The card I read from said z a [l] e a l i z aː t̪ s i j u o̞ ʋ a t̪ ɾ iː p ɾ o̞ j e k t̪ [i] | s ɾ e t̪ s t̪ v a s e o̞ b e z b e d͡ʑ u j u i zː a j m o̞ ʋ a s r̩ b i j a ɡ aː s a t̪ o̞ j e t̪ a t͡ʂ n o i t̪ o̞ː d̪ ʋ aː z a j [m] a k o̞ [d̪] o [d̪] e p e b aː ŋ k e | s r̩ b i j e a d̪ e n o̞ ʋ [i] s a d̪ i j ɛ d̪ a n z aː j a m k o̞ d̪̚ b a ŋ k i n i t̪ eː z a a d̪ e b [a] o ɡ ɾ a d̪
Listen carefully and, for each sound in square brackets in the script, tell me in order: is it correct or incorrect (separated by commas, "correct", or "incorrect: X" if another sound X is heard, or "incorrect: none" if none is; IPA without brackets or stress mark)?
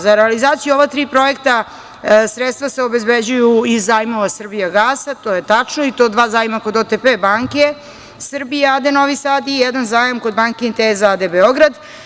incorrect: ɾ, incorrect: a, correct, correct, incorrect: t̪, correct, incorrect: e